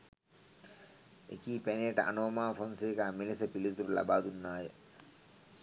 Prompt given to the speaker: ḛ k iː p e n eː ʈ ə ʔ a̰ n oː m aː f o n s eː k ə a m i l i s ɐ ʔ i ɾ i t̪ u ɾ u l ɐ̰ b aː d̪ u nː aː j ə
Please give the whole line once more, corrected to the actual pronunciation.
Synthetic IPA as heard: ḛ k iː p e n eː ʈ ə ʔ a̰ n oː m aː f o n s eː k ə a m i l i s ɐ p i l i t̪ u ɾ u l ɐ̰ b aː d̪ u nː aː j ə